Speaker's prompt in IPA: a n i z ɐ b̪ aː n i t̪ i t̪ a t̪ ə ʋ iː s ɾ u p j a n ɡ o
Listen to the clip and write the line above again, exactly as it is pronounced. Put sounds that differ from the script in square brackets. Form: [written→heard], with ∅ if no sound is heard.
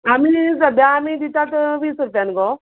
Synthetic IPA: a [n→m] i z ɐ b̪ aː [n→m] i [t̪→d̪] i t̪ a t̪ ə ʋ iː s ɾ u p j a n ɡ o